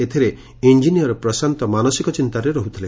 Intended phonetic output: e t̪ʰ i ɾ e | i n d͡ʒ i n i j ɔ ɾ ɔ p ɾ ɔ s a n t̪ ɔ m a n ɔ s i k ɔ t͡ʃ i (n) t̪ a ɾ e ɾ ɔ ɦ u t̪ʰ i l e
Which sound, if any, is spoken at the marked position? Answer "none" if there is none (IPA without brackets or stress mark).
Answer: n